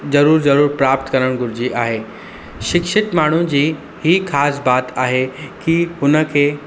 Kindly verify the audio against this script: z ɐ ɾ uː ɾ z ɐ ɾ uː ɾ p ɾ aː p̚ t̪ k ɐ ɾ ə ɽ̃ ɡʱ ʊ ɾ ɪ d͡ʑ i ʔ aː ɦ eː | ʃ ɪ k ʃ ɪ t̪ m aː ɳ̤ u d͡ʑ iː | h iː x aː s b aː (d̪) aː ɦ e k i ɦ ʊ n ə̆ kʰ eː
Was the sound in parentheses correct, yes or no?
no